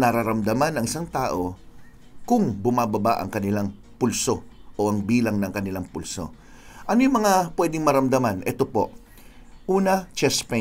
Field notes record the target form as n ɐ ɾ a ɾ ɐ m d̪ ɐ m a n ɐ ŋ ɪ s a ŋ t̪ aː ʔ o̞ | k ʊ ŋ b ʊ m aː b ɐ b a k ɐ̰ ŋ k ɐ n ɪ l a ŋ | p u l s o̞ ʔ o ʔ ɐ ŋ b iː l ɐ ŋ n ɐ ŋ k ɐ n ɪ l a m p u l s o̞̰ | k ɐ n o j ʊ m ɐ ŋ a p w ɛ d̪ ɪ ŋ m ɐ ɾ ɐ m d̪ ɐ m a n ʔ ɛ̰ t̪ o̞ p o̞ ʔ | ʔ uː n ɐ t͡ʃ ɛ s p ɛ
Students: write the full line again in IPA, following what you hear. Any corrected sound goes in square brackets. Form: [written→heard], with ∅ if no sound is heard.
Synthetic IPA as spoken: n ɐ ɾ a ɾ ɐ m d̪ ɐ m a n ɐ ŋ ɪ s a ŋ t̪ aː ʔ o̞ | k ʊ ŋ b ʊ m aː b ɐ b a [k→ʔ] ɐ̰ ŋ k ɐ n ɪ l a ŋ | p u l s o̞ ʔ o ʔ ɐ ŋ b iː l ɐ ŋ n ɐ ŋ k ɐ n ɪ l a [m→ŋ] p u l s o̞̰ | [k→ʔ] ɐ n o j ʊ m ɐ ŋ a p w ɛ d̪ ɪ ŋ m ɐ ɾ ɐ m d̪ ɐ m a n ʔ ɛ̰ t̪ o̞ p o̞ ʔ | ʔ uː n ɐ t͡ʃ ɛ s p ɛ